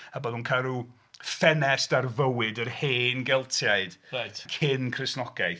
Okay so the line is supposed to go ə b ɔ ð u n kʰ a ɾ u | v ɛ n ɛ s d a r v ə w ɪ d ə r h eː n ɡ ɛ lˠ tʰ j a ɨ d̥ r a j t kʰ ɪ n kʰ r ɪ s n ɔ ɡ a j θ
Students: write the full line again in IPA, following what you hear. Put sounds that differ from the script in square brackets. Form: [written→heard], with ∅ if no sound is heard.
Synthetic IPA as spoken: ə b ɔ ð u n kʰ a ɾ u | [v→f] ɛ n ɛ s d a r v ə w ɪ d ə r h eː n ɡ ɛ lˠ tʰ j a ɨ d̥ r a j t kʰ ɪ n kʰ r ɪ s n ɔ ɡ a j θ

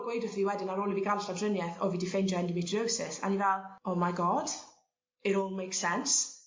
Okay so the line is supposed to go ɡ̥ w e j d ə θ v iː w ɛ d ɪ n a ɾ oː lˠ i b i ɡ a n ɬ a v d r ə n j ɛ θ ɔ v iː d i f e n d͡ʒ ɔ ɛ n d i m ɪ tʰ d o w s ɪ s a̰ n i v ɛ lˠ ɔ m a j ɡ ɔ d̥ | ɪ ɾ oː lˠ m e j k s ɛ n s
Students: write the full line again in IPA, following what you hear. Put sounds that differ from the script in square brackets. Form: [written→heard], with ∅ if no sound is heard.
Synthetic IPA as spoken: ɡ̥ w e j d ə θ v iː w ɛ d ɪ n a ɾ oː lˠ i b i ɡ a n ɬ a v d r ə n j ɛ θ ɔ v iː d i f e n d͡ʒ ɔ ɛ n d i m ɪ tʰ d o w s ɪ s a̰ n i v ɛ lˠ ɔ m a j ɡ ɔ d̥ | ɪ ɾ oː lˠ m e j k s ɛ n s

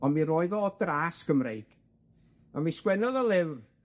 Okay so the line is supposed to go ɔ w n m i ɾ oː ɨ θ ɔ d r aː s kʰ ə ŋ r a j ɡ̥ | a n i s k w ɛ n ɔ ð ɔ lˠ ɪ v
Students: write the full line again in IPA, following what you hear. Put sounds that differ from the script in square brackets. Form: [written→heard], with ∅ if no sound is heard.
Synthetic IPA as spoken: ɔ [w→∅] n m i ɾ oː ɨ [θ→ð] ɔ d r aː s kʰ ə [ŋ→m] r [a→e] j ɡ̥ | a [n→m] i s k w ɛ n ɔ ð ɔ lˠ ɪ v

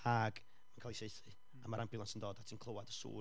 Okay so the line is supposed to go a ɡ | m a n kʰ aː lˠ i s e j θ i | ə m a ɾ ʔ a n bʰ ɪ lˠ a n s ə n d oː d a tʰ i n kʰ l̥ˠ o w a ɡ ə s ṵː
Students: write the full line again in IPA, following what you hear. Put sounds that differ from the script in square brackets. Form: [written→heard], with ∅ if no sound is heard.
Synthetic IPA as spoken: a ɡ | m a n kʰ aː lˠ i s e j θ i | [ə→a] m a ɾ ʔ a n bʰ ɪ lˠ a n s ə n d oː d a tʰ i n kʰ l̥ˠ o w a [ɡ→d] ə s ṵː

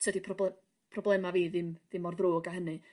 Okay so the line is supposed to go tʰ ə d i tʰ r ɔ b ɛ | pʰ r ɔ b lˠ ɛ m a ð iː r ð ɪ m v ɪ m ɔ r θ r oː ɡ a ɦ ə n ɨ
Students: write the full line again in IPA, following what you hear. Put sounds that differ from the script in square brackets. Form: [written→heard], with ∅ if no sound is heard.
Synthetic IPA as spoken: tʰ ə d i [tʰ→pʰ] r ɔ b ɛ | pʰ r ɔ b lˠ ɛ m a [ð→v] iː [r→∅] ð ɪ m [v→ð] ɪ m ɔ r [θ→ð] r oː ɡ a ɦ ə n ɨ

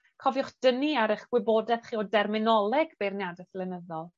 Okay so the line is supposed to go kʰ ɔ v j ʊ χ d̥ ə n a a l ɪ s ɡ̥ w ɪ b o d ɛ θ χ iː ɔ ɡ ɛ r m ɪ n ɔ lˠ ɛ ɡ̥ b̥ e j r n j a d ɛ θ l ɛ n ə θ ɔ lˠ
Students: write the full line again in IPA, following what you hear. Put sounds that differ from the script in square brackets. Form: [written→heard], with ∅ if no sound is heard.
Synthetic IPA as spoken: kʰ ɔ v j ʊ χ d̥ ə n [a→i] a [l→ɾ] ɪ [s→χ] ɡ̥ w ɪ b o d ɛ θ χ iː ɔ [ɡ→d] ɛ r m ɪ n ɔ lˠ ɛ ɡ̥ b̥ e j r n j a d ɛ θ l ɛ n ə [θ→ð] ɔ lˠ

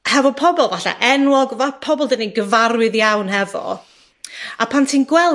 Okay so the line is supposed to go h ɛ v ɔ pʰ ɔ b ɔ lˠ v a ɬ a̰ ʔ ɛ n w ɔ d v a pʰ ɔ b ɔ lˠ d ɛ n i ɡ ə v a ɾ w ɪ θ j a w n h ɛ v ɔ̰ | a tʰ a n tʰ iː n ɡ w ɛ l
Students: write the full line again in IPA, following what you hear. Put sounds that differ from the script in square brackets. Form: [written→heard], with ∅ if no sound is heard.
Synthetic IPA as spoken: h ɛ v ɔ pʰ ɔ b ɔ lˠ v a ɬ a̰ ʔ ɛ n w ɔ [d→ɡ] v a pʰ ɔ b ɔ lˠ d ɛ n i ɡ ə v a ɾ w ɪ [θ→ð] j a w n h ɛ v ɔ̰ | a [tʰ→pʰ] a n tʰ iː n ɡ w ɛ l

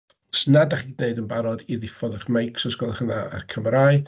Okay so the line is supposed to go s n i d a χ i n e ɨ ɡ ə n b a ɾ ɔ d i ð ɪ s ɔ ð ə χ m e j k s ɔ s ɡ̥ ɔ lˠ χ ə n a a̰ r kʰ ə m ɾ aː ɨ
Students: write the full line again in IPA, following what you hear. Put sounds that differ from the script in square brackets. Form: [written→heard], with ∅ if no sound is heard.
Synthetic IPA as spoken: s n [i→a] d a χ i n e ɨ [ɡ→d] ə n b a ɾ ɔ d i ð ɪ [s→f] ɔ ð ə χ m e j k s ɔ s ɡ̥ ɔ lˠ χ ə n a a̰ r kʰ ə m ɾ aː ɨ

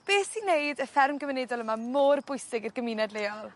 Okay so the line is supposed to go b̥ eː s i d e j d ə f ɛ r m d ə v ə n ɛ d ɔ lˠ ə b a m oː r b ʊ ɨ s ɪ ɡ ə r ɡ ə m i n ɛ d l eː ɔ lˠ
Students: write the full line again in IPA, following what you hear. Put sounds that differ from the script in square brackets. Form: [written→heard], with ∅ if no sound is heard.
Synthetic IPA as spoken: b̥ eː s i [d→n] e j d ə f ɛ r m [d→ɡ] ə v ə n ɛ d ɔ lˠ ə [b→m] a m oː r b ʊ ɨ s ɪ ɡ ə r ɡ ə m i n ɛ d l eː ɔ lˠ

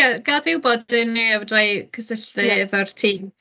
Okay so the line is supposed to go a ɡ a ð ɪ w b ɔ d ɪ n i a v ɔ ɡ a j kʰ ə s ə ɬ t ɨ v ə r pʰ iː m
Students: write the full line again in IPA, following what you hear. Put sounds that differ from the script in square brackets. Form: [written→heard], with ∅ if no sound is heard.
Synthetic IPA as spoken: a ɡ a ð ɪ w b ɔ d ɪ n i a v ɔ [ɡ→d] a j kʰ ə s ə ɬ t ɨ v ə r [pʰ→tʰ] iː m

